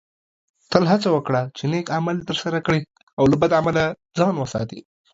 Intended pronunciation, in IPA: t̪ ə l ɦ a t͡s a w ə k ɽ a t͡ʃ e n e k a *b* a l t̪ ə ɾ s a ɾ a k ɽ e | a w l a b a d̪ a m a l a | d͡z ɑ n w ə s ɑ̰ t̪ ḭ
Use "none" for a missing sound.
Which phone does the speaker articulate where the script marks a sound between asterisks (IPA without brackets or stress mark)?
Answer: m